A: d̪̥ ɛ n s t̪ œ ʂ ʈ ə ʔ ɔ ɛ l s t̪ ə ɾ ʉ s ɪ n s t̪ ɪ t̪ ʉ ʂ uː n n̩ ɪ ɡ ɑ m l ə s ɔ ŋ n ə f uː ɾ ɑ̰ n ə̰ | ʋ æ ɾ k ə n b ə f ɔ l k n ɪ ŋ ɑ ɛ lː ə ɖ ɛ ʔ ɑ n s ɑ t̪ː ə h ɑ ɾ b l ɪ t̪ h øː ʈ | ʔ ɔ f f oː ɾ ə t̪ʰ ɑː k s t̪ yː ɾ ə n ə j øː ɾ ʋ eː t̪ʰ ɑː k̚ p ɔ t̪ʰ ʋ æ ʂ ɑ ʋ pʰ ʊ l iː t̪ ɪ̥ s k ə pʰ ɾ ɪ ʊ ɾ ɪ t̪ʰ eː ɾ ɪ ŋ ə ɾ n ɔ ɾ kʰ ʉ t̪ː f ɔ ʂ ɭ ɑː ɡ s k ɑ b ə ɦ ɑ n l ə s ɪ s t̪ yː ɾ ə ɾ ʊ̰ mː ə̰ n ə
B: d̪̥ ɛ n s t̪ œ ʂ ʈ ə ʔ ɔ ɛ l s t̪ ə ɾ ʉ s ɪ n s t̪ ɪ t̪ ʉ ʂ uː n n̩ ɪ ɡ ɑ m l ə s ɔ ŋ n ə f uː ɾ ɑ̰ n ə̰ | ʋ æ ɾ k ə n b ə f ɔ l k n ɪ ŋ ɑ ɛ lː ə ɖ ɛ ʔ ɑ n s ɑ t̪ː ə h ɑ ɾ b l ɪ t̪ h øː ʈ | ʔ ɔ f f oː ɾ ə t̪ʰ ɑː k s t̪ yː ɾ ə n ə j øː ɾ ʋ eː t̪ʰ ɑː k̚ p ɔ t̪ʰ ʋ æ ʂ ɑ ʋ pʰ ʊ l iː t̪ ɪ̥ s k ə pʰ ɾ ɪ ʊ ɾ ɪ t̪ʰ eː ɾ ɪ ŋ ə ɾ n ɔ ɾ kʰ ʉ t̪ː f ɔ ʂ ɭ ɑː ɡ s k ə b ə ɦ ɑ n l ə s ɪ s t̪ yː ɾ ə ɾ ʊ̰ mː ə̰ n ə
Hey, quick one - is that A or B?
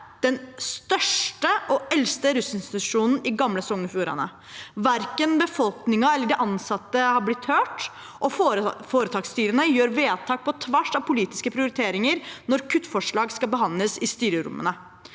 A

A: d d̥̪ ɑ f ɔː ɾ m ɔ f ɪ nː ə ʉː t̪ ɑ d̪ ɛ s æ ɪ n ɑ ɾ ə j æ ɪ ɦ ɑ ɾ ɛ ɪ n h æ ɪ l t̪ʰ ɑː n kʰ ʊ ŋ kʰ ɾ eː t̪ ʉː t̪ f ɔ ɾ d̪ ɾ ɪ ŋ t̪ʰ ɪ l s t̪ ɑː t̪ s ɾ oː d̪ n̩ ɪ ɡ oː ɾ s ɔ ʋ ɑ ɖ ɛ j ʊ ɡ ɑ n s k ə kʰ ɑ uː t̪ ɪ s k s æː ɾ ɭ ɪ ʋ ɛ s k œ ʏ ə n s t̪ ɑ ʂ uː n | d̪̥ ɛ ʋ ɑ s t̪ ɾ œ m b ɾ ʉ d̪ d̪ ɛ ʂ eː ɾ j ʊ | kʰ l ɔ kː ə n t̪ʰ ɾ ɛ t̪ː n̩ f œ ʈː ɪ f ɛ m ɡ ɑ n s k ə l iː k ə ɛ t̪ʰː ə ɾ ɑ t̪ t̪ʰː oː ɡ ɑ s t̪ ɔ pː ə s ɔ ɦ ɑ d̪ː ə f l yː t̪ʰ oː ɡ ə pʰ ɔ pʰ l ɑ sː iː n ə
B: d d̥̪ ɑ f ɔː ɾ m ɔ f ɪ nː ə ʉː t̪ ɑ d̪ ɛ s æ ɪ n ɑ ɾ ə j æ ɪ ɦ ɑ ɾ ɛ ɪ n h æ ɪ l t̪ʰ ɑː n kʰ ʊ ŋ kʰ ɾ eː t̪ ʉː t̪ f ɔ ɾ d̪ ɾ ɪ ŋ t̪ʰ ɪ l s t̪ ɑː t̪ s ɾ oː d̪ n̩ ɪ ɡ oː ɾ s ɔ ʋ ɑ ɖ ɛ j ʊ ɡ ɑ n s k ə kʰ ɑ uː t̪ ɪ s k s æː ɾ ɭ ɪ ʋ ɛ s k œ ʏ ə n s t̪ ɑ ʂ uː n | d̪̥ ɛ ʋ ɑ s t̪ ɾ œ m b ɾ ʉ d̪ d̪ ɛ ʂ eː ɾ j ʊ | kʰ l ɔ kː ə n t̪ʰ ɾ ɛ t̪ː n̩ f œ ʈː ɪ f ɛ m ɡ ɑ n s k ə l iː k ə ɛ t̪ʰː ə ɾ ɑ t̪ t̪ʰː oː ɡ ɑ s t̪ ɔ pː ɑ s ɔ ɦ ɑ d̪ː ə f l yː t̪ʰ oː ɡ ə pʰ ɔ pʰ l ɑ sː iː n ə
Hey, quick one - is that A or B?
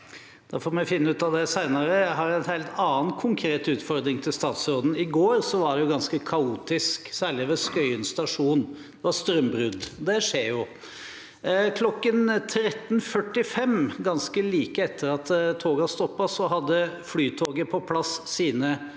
B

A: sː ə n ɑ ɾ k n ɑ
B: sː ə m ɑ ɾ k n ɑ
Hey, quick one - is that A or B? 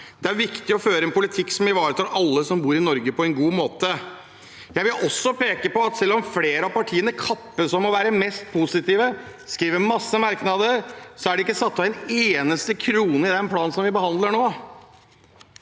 B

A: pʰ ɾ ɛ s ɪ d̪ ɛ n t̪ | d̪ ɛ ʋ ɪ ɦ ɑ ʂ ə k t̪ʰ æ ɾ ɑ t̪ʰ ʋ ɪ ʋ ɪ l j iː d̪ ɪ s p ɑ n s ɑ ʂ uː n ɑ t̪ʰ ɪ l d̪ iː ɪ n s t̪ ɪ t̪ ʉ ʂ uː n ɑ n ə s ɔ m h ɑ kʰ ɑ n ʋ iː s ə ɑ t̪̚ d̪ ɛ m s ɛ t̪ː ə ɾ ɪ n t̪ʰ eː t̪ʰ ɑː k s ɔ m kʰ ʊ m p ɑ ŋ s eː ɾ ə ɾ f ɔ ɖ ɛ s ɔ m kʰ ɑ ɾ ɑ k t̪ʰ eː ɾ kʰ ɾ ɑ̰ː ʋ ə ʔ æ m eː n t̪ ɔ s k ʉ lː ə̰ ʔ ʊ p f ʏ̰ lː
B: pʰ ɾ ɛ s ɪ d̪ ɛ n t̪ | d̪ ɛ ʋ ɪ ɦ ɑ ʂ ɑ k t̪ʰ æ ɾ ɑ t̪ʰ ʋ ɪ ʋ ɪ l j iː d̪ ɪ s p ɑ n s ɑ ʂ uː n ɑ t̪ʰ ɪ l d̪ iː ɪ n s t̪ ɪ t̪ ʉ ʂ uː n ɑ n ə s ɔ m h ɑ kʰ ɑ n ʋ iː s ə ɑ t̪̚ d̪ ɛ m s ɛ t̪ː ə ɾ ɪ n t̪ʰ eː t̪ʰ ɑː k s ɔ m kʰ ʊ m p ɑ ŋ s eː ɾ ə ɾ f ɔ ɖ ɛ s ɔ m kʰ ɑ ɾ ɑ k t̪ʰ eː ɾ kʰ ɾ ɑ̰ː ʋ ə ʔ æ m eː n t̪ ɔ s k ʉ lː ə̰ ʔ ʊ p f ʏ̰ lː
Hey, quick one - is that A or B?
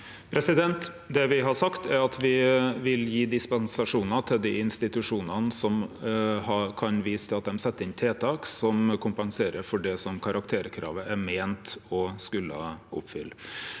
B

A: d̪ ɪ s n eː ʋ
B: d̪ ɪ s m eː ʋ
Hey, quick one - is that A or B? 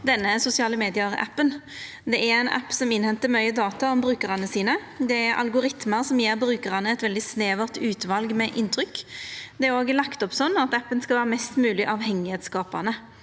A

